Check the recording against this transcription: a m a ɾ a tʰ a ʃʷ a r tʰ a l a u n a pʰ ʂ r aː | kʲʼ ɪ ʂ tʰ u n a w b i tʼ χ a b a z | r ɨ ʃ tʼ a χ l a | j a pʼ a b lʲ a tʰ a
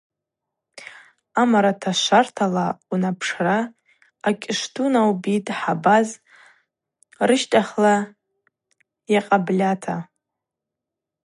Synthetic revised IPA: a m a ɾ a tʰ a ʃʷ a r tʰ a l a u n a pʰ ʂ r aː | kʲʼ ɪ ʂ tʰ u n a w b i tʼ ħ a b a z | r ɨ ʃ tʼ a χ l a | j a qʼ a b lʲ a tʰ a

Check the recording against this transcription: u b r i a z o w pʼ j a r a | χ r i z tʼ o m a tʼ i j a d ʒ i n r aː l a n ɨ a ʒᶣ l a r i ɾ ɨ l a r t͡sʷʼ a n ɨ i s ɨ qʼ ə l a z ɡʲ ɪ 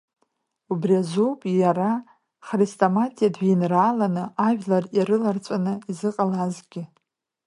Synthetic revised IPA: u b r i a z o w pʼ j a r a | χ r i s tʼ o m a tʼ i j a d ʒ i n r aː l a n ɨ a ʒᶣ l a r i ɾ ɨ l a r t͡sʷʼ a n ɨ i z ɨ qʼ a l a z ɡʲ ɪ

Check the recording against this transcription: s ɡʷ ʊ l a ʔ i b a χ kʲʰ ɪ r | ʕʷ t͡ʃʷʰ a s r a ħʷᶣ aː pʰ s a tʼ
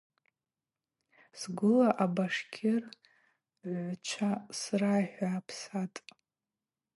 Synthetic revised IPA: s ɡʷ ʊ l a ʔ a b a ʂ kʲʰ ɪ r | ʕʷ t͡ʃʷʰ a s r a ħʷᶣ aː pʰ s a tʼ

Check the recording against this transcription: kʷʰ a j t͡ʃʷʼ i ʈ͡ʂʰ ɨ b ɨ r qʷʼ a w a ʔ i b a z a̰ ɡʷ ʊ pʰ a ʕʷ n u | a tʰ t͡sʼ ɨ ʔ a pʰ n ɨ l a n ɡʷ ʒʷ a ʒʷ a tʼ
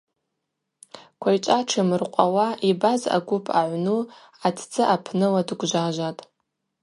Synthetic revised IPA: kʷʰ a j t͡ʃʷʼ a ʈ͡ʂʰ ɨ m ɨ r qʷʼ a w a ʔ i b a z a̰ ɡʷ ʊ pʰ a ʕʷ n u | a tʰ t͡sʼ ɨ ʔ a pʰ n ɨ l a d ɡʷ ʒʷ a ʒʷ a tʼ

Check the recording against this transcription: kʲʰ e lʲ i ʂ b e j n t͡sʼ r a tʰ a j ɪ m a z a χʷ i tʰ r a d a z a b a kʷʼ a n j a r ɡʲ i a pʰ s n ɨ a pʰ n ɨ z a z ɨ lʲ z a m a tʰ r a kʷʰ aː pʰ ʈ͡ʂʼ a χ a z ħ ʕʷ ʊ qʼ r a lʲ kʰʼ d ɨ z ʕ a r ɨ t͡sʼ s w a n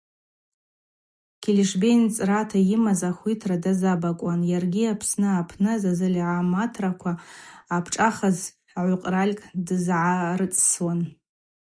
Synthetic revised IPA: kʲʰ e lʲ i ʂ b e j n t͡sʼ r a tʰ a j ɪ m a z a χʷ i tʰ r a d a z a b a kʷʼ a n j a r ɡʲ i a pʰ s n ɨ a pʰ n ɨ z a z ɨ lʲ ʕ a m a tʰ r a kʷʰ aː pʰ ʈ͡ʂʼ a χ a z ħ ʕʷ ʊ qʼ r a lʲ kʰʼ d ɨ z ʕ a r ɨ t͡sʼ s w a n

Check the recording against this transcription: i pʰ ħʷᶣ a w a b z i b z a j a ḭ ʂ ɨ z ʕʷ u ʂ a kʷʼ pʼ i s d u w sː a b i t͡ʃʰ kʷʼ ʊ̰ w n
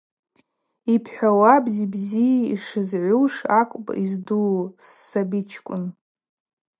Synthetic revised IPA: i pʰ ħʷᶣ a w a b z i b z i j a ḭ ʂ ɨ z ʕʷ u ʂ a kʷʼ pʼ i z d u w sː a b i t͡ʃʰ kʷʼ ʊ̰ n

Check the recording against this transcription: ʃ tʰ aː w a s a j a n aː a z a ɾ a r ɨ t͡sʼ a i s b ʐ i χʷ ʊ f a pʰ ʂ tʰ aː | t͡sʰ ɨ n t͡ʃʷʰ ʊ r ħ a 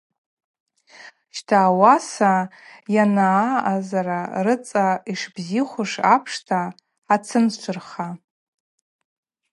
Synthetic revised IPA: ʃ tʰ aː w a s a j a n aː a z a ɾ a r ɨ t͡sʼ a i ʂ b z i χʷ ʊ ʂ a pʰ ʂ tʰ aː | t͡sʰ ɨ n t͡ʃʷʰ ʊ r χ a

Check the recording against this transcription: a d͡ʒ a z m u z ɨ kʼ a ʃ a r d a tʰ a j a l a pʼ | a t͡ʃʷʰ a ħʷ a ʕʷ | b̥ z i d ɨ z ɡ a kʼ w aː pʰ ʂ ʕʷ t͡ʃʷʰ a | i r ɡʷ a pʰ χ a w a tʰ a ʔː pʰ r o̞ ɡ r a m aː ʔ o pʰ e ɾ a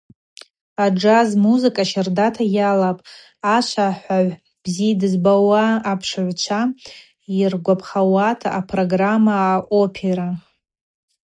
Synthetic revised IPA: a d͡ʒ a z m u z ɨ kʼ a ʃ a r d a tʰ a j a l a pʼ | a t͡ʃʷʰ a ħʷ a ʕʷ | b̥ z i d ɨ z b a w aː pʰ ʂ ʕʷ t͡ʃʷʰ a | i r ɡʷ a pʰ χ a w a tʰ a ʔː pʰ r o̞ ɡ r a m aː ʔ o pʰ e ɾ a

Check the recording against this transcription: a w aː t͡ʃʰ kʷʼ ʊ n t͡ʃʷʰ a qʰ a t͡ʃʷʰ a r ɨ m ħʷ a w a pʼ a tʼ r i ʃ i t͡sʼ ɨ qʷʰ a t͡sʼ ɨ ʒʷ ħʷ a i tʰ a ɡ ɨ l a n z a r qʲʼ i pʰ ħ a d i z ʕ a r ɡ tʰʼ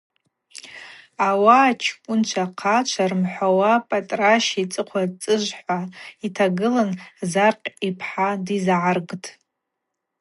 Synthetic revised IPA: a w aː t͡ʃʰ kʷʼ ʊ n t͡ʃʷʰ a qʰ a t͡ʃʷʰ a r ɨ m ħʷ a w a pʼ a tʼ r a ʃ i t͡sʼ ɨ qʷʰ a t͡sʼ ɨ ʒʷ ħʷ a i tʰ a ɡ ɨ l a n z a r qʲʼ i pʰ ħ a d i z ʕ a r ɡ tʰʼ

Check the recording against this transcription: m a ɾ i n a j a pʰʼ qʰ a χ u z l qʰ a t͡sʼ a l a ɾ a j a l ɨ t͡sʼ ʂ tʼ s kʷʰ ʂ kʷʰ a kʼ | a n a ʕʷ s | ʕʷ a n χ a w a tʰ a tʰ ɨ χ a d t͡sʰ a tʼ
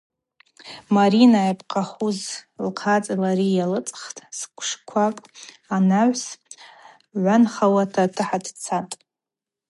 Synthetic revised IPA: m a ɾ i n a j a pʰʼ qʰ a χ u z l qʰ a t͡sʼ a l a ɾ i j a l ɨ t͡sʼ χ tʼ s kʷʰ ʂ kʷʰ a kʼ | a n a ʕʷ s | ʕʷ a n χ a w a tʰ a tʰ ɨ ħ a d t͡sʰ a tʼ

